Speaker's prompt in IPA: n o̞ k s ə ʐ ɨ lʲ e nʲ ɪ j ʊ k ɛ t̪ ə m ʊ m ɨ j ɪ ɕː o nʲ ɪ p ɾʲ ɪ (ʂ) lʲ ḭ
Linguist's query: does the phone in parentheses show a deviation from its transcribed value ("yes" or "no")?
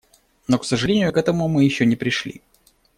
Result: no